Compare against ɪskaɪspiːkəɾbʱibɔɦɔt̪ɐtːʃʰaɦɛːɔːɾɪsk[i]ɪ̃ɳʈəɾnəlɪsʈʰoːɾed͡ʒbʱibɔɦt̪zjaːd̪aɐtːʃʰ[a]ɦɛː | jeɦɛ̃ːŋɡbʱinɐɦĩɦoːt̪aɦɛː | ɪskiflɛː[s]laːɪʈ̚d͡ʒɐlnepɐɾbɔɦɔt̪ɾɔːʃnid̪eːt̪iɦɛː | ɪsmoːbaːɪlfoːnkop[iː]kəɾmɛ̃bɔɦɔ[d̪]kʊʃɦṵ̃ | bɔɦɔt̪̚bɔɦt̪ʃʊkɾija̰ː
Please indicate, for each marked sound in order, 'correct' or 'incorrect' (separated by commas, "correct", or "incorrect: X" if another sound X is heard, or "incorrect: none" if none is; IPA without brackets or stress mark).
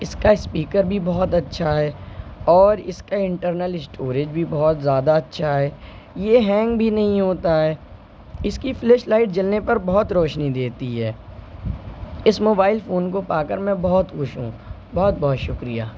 incorrect: a, correct, incorrect: ʃ, incorrect: aː, incorrect: t̪